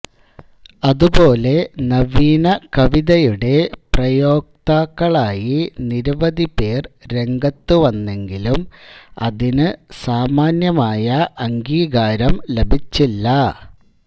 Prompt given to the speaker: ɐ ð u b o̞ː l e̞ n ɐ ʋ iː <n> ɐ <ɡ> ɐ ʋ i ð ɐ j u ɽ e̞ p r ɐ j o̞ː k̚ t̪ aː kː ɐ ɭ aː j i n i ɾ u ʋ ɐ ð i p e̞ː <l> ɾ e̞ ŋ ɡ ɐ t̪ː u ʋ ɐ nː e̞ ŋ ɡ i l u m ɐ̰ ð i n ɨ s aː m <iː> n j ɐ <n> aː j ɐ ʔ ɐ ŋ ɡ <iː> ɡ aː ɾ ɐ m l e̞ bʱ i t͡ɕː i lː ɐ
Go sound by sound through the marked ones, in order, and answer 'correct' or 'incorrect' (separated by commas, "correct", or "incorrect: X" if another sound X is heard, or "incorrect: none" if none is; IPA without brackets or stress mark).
correct, incorrect: k, incorrect: r, incorrect: aː, incorrect: m, correct